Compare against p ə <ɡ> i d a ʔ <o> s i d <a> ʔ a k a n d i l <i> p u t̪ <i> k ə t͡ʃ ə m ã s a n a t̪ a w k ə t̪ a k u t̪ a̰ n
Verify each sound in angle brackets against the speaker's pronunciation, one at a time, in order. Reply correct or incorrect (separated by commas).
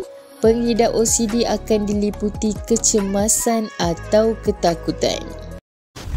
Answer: incorrect, correct, incorrect, correct, correct